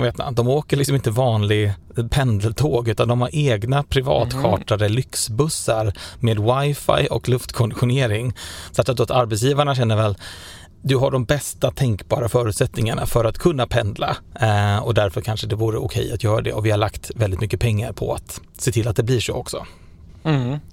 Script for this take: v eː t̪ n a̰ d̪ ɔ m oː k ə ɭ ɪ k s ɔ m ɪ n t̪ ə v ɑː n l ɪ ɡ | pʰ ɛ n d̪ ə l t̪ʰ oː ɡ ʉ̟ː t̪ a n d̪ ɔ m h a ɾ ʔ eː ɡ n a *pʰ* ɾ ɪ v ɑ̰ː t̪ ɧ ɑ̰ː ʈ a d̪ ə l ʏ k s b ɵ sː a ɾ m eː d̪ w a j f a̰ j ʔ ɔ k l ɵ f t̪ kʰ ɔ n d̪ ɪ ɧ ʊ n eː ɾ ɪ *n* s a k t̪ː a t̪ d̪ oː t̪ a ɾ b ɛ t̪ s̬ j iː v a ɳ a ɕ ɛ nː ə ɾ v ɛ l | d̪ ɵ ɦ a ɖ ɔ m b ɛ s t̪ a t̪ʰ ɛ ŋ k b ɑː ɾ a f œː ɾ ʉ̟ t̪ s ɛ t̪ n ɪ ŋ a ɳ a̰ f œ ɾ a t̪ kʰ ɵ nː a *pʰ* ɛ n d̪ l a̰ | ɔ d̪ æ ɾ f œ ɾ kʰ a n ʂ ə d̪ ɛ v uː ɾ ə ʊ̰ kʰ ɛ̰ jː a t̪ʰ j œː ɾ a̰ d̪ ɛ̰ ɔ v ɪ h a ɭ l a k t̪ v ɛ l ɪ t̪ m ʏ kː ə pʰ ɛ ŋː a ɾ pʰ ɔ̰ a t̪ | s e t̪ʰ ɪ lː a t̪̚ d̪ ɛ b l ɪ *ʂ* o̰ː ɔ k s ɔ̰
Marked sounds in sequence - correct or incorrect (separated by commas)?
correct, incorrect, correct, correct